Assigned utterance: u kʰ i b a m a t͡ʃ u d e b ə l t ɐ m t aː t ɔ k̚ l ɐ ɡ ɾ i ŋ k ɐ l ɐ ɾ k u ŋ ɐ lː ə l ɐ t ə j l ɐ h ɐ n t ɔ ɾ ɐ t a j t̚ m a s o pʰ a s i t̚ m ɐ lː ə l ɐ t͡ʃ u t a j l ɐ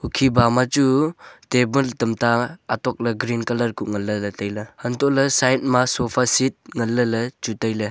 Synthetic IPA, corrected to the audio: u kʰ i b a m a t͡ʃ u t e b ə l t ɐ m t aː t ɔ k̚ l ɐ ɡ ɾ i n k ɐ l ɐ ɾ k u ŋ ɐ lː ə l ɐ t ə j l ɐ h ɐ n t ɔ l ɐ s a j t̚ m a s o pʰ a s i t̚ ŋ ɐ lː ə l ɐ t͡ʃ u t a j l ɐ